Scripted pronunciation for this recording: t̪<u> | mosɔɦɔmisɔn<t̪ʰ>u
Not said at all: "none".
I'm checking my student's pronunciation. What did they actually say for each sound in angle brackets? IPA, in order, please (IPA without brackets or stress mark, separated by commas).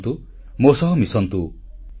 u, t̪